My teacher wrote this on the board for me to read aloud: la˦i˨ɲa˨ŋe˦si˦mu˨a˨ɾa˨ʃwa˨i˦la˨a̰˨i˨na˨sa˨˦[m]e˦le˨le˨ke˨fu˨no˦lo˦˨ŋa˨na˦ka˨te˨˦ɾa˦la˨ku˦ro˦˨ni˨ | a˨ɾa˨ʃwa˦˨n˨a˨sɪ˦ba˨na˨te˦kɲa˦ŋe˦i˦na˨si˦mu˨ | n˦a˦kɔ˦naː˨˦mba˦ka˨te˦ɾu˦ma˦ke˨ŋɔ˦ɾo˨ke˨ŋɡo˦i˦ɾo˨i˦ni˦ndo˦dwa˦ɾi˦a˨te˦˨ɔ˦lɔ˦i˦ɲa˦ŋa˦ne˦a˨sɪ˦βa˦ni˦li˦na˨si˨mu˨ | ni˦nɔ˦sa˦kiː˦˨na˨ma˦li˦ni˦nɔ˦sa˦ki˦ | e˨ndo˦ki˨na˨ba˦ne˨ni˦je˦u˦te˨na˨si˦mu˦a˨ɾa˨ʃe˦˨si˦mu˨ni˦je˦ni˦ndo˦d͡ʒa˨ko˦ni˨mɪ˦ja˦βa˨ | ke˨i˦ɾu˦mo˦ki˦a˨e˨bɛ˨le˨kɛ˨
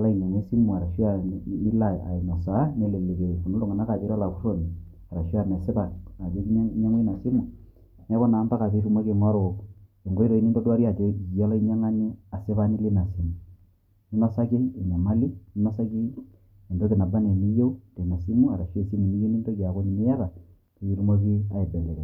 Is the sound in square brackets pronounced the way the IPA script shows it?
no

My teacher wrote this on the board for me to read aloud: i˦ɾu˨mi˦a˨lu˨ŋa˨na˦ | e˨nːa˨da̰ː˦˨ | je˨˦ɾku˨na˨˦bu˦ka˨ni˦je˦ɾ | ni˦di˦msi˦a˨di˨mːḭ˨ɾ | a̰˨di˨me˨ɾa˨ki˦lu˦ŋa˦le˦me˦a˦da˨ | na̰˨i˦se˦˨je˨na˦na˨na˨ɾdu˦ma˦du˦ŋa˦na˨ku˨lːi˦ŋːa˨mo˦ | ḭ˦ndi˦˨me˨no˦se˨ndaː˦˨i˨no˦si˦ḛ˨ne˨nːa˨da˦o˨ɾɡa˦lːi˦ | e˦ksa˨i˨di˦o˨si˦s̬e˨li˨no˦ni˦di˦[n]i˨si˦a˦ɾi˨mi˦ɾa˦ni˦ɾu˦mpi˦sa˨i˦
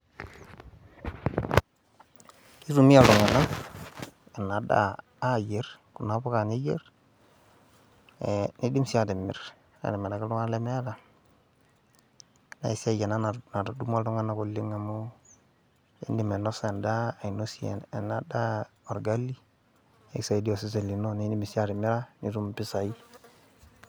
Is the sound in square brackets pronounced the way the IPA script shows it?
no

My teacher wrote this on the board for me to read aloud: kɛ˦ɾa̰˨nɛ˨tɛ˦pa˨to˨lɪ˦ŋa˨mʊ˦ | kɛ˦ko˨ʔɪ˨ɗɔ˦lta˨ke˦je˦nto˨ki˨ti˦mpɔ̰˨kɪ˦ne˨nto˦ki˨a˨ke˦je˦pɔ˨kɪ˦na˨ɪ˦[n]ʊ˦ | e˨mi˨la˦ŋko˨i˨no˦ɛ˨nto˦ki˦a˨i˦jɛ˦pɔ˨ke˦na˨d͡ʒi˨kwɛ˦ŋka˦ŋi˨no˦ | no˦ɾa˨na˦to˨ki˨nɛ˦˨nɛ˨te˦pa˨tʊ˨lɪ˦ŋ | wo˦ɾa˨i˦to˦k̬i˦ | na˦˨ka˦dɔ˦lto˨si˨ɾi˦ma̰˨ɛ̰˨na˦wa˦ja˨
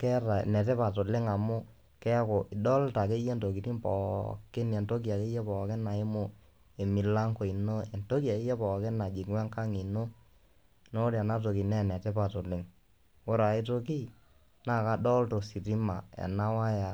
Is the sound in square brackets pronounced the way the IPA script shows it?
no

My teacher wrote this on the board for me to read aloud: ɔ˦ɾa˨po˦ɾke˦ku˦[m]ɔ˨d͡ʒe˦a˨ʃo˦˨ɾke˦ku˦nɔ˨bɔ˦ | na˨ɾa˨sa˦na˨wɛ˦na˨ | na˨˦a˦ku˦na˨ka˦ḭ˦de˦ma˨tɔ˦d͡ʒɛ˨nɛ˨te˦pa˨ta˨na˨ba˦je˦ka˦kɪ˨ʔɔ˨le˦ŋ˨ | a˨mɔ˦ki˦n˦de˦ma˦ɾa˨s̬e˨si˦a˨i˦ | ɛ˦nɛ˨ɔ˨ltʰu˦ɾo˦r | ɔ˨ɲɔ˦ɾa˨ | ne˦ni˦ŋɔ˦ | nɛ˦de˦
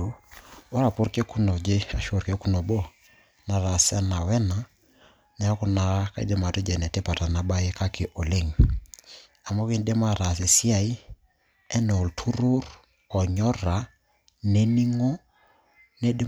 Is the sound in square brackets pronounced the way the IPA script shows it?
no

